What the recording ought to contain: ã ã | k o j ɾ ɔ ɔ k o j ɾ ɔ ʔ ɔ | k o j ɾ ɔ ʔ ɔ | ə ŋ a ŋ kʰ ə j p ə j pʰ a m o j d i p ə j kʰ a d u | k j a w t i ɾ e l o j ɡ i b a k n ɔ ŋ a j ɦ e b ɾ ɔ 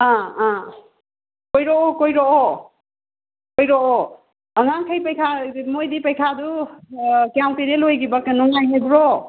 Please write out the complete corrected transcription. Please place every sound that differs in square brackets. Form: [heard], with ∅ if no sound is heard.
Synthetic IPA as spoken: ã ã | k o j ɾ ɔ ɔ k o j ɾ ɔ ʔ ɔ | k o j ɾ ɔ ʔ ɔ | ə ŋ a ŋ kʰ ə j p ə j [kʰ] a m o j d i p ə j kʰ a d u | k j a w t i ɾ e l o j ɡ i b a k n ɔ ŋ a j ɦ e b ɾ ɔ